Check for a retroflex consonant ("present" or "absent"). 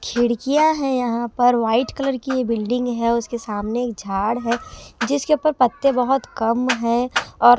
present